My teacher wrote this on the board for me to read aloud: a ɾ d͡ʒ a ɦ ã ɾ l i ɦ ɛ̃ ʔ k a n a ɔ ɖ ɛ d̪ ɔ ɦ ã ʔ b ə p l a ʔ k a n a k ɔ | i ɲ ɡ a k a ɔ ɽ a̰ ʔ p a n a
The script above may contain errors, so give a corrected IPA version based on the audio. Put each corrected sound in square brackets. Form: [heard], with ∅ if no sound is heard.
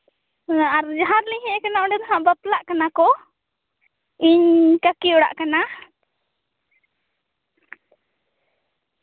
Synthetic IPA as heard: a ɾ d͡ʒ a ɦ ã ɾ l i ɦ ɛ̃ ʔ k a n a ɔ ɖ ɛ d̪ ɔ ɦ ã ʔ b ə p l a ʔ k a n a k ɔ | i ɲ [k] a k [i] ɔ ɽ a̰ ʔ [k] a n a

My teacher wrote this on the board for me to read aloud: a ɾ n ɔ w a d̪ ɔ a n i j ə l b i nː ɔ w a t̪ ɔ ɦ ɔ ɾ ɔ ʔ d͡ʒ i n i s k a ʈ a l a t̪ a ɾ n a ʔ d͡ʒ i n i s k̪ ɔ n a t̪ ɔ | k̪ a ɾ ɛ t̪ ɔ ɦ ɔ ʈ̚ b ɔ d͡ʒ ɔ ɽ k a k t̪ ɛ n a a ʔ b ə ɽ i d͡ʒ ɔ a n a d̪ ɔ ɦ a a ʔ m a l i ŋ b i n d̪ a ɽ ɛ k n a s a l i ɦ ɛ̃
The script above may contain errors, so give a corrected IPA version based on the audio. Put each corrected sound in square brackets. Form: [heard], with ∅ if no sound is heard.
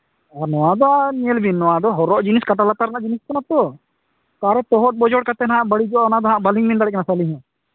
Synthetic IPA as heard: a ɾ n ɔ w a d̪ ɔ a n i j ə l b i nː ɔ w a [d̪] ɔ ɦ ɔ ɾ ɔ ʔ d͡ʒ i n i s k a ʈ a l a t̪ a ɾ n a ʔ d͡ʒ i n i s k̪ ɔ n a t̪ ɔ | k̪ a ɾ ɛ t̪ ɔ ɦ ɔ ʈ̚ b ɔ d͡ʒ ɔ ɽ k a [∅] t̪ ɛ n a a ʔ b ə ɽ i d͡ʒ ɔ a n a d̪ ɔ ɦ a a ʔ [b] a l i ŋ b i n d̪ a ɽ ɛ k n a s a l i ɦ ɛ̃

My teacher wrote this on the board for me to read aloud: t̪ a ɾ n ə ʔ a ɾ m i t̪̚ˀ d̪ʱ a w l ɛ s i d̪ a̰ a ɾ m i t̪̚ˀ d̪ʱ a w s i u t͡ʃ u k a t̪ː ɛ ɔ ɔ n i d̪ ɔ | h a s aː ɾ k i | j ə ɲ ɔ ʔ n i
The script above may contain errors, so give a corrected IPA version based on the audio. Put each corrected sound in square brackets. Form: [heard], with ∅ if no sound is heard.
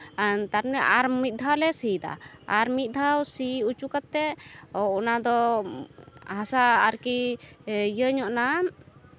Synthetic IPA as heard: t̪ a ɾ n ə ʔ a ɾ m i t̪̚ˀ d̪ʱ a w l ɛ s i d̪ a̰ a ɾ m i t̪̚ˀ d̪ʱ a w s i u t͡ʃ u k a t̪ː ɛ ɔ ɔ n [a] d̪ ɔ | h a s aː ɾ k i | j ə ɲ ɔ ʔ n [a]

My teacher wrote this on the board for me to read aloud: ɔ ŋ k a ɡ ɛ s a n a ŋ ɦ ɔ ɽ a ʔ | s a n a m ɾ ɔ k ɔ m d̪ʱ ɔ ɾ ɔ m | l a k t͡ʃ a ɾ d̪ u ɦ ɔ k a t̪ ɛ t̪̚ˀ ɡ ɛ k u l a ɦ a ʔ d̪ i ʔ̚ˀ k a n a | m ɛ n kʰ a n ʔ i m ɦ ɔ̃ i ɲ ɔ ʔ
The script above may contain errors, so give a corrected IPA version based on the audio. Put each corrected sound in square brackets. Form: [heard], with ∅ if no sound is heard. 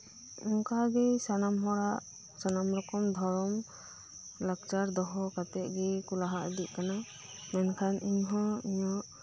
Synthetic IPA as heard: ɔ ŋ k a ɡ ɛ s a n a [m] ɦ ɔ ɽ a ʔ | s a n a m ɾ ɔ k ɔ m d̪ʱ ɔ ɾ ɔ m | l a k t͡ʃ a ɾ d̪ [ɔ] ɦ ɔ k a t̪ ɛ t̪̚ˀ ɡ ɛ k u l a ɦ a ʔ d̪ i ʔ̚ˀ k a n a | m ɛ n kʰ a n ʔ i [ɲ] ɦ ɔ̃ i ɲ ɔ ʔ

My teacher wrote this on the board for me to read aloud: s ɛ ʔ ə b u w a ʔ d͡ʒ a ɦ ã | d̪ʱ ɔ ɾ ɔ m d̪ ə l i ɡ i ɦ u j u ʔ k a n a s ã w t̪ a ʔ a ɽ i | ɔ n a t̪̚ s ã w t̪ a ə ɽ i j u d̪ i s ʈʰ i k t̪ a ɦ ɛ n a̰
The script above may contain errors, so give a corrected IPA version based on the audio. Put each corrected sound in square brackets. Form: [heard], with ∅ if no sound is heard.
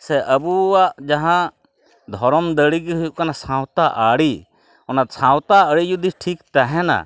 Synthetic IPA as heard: s ɛ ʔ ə b u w a ʔ d͡ʒ a ɦ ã | d̪ʱ ɔ ɾ ɔ m d̪ ə [ɽ] i ɡ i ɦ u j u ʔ k a n a s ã w t̪ a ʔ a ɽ i | ɔ n a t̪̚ s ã w t̪ a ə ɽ i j u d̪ i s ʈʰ i k t̪ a ɦ ɛ n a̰

